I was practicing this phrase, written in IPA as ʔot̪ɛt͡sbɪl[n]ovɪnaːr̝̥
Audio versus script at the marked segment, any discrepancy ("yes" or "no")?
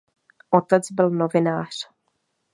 no